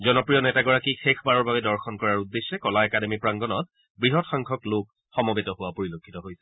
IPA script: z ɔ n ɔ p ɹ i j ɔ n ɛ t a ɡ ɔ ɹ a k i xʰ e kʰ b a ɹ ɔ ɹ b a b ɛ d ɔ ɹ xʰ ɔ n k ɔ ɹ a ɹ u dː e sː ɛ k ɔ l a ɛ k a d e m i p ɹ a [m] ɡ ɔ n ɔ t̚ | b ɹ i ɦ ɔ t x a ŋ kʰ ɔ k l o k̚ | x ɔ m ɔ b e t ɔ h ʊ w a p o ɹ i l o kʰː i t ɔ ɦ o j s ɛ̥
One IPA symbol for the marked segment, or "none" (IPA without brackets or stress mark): ŋ